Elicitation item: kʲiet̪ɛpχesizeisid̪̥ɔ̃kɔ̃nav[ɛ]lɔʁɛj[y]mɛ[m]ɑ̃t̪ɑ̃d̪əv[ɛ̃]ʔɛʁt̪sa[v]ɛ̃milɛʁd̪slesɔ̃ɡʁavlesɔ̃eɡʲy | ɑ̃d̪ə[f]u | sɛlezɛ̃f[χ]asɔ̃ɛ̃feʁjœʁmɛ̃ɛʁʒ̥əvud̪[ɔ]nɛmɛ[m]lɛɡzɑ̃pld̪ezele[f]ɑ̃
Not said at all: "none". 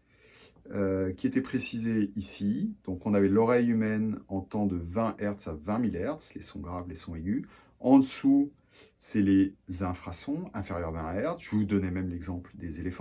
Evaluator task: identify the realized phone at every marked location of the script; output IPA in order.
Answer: ɛ, y, n, ɛ̃, v, s, χ, ɔ, m, f

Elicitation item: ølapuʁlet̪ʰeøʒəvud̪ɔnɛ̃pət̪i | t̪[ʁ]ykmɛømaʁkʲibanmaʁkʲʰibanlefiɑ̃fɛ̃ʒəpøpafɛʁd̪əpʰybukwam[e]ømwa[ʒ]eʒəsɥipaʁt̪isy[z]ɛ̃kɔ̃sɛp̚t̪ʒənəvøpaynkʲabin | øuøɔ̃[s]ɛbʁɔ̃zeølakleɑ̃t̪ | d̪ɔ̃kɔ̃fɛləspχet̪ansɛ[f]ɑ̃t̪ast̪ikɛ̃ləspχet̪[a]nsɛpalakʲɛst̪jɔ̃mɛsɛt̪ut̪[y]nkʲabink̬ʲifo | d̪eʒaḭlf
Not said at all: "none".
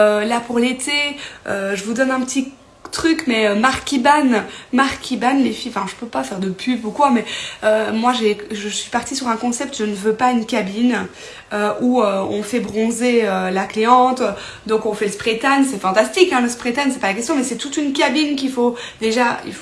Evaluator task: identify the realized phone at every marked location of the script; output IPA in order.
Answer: χ, ɛ, ʒ, ʁ, f, f, a, y

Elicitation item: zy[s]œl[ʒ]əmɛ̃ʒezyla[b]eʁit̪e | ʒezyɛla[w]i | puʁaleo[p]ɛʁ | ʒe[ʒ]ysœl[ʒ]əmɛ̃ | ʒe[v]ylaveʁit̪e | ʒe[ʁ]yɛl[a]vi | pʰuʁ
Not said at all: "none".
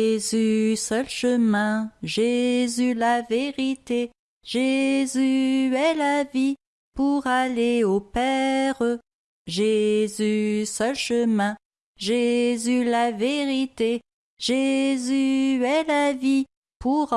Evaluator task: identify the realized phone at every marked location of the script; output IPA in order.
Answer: s, ʃ, v, v, p, z, ʃ, z, z, a

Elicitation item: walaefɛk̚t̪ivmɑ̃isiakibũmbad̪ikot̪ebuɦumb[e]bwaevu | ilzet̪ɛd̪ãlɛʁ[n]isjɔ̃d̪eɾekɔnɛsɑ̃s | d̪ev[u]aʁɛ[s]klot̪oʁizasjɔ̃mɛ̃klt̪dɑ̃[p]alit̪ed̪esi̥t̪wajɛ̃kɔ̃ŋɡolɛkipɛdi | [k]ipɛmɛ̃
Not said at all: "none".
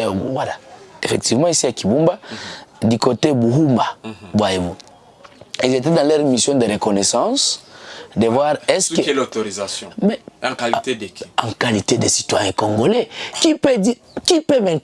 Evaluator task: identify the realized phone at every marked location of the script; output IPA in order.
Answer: a, m, w, s, k, k

